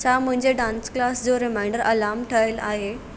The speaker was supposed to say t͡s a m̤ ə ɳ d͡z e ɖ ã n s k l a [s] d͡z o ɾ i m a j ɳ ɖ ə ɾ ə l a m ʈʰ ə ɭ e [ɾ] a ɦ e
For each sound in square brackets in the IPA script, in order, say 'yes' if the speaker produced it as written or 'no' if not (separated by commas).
yes, no